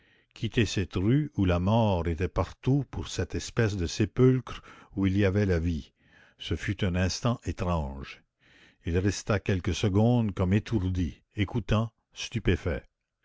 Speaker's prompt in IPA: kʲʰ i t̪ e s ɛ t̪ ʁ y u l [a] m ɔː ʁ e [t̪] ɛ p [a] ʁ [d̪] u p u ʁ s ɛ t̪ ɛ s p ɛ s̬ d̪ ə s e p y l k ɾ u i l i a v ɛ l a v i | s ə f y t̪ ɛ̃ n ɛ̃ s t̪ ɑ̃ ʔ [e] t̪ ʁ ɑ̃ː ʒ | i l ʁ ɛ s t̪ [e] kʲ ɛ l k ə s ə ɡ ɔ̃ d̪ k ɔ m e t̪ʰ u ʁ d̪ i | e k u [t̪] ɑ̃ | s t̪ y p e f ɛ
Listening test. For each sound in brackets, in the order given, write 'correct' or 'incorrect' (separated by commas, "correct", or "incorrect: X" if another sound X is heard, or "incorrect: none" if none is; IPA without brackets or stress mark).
correct, correct, correct, incorrect: t̪, correct, incorrect: a, correct